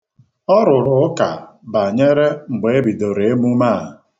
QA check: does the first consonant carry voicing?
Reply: yes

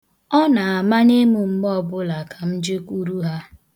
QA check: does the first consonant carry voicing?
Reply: yes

